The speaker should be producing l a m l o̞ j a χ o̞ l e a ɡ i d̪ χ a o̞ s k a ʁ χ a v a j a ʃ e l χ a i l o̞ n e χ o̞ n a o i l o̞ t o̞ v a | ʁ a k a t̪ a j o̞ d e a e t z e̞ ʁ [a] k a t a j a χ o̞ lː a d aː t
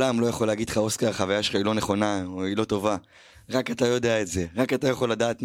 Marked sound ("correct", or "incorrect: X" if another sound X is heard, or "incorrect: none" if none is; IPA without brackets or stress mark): correct